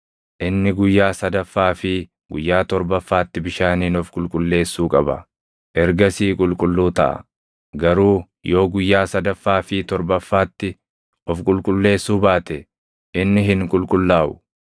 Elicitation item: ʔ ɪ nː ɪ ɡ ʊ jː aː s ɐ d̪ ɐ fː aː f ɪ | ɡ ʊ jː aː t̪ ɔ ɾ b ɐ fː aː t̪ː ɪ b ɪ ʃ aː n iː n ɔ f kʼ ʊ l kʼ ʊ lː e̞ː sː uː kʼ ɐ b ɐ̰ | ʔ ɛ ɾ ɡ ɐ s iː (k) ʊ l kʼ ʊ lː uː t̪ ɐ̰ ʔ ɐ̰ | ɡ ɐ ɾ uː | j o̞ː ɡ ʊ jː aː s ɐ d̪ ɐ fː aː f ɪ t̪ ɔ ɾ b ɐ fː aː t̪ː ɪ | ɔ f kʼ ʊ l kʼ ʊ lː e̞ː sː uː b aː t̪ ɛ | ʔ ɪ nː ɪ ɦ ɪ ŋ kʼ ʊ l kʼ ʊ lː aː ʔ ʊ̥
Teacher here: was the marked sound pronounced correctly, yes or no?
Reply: no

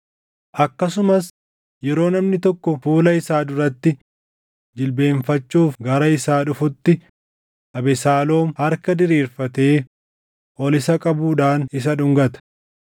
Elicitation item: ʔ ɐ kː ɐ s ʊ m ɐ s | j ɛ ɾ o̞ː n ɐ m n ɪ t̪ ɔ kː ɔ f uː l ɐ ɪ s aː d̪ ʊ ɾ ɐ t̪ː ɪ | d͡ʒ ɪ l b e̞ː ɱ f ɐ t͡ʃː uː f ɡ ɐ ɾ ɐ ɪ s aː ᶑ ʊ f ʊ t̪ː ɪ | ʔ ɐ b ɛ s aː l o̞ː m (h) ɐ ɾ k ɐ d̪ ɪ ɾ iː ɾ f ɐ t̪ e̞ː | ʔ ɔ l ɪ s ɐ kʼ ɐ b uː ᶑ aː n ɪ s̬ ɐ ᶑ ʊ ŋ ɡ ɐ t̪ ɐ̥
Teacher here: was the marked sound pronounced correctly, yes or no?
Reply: yes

